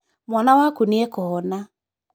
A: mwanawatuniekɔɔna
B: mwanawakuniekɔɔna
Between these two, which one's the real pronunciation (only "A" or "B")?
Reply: B